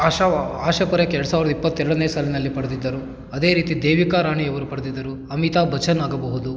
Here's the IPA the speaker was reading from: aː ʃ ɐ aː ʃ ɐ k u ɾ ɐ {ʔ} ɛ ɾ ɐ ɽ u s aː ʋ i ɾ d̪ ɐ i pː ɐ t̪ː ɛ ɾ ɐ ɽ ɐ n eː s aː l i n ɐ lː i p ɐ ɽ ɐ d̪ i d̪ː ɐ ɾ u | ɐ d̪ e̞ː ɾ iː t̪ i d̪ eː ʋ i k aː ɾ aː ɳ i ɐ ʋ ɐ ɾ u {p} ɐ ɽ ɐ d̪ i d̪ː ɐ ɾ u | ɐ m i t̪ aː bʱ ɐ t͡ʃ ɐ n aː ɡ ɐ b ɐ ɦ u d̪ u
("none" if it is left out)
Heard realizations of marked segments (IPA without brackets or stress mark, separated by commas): k, p